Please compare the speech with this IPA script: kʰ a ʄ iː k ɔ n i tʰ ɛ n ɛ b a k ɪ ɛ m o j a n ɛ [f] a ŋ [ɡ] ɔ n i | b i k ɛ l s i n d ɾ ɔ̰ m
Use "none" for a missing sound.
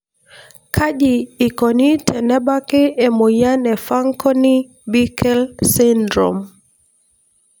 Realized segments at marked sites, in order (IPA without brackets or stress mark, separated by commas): f, k